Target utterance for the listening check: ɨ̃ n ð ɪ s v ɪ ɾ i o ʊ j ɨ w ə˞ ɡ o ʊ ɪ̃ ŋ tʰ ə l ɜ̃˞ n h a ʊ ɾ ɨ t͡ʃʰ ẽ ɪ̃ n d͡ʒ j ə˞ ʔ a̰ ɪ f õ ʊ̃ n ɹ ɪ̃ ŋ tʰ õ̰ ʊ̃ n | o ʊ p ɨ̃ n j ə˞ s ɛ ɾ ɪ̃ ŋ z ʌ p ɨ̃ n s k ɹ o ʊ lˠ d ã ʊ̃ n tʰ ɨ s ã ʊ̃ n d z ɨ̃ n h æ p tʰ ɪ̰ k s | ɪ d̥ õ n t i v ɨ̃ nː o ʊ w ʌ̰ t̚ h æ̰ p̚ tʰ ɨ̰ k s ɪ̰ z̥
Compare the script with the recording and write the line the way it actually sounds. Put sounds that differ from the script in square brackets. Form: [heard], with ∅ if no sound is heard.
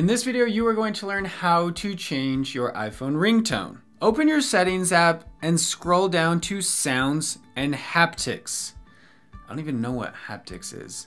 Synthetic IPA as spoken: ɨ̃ n ð ɪ s v ɪ ɾ i o ʊ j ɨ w ə˞ ɡ o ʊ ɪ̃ ŋ tʰ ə l ɜ̃˞ n h a ʊ ɾ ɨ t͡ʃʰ ẽ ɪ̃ n d͡ʒ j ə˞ ʔ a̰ ɪ f õ ʊ̃ n ɹ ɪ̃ ŋ tʰ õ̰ ʊ̃ n | o ʊ p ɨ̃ n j ə˞ s ɛ ɾ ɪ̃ ŋ z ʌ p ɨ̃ n s k ɹ o ʊ lˠ d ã ʊ̃ n tʰ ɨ s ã ʊ̃ n d z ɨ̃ n h æ p tʰ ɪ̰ k s | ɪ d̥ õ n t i v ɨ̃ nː o ʊ w ʌ̰ t̚ h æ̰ p̚ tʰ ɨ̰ k s ɪ̰ z̥

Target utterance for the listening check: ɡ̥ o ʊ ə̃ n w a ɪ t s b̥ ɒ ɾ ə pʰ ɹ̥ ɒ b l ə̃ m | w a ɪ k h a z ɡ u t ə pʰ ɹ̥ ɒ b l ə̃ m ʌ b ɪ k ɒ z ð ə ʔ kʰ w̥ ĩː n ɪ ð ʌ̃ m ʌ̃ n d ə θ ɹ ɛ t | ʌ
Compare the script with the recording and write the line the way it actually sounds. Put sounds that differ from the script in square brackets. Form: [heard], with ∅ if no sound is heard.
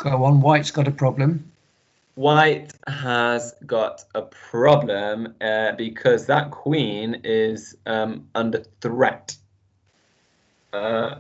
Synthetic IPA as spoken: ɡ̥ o ʊ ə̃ n w a ɪ t s [ɡ̥] ɒ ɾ ə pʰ ɹ̥ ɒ b l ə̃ m | w a ɪ [t] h [ə] z ɡ [ɒ] t ə pʰ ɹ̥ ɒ b l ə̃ m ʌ b ɪ [kʰ] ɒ z ð ə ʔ kʰ w̥ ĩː n ɪ [z] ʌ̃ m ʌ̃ n d ə θ ɹ ɛ t | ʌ

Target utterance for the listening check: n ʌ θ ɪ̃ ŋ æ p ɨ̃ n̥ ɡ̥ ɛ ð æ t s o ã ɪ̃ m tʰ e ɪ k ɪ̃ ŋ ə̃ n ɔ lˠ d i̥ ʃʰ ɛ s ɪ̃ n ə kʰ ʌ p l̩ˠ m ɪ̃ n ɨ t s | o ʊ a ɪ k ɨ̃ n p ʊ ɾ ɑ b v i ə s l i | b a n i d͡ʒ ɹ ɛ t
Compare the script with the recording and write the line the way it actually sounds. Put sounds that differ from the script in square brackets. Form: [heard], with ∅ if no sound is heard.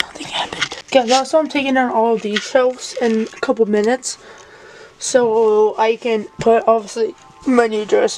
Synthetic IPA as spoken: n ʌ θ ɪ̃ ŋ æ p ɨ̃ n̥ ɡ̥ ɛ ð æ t s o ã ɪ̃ m tʰ e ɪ k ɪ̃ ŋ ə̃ n ɔ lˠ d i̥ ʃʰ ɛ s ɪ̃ n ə kʰ ʌ p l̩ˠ m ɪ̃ n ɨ t s | o ʊ a ɪ k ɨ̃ n [pʰ] ʊ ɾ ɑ b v i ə s l i | [m] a n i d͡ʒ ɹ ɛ [s]

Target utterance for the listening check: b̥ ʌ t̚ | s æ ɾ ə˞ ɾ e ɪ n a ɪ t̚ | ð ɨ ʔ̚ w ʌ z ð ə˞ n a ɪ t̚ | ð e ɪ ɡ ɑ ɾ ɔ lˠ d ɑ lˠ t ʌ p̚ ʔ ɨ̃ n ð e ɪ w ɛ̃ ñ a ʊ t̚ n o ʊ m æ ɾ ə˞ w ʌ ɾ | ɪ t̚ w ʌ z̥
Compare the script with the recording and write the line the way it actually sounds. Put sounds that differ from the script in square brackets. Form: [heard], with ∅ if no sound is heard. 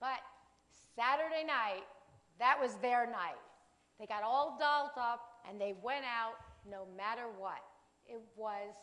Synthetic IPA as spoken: b̥ ʌ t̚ | s æ ɾ ə˞ ɾ e ɪ n a ɪ t̚ | ð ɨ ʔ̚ w ʌ z ð ə˞ n a ɪ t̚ | ð e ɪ ɡ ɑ ɾ ɔ lˠ d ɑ lˠ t ʌ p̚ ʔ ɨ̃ n ð e ɪ w ɛ̃ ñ a ʊ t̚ n o ʊ m æ ɾ ə˞ w ʌ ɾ | ɪ t̚ w ʌ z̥

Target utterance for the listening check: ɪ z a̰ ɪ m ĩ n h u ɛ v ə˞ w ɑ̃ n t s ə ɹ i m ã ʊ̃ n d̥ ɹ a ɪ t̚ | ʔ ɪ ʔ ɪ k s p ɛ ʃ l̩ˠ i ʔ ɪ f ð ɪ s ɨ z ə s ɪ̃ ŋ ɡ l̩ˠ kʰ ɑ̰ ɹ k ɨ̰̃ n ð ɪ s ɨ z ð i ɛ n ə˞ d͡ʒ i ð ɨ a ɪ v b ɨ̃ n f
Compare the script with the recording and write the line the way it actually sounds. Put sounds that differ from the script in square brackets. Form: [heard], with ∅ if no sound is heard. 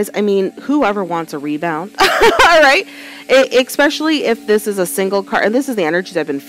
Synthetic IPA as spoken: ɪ z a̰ ɪ m ĩ n h u ɛ v ə˞ w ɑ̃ n t s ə ɹ i [b] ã ʊ̃ n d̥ ɹ a ɪ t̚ | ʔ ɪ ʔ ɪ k s p ɛ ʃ l̩ˠ i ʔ ɪ f ð ɪ s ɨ z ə s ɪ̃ ŋ ɡ l̩ˠ kʰ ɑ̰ ɹ [ʔ] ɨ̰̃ n ð ɪ s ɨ z ð i ɛ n ə˞ d͡ʒ i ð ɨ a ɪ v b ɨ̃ n f

